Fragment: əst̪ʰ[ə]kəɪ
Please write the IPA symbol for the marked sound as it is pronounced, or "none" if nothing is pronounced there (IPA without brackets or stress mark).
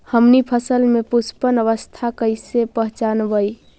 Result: a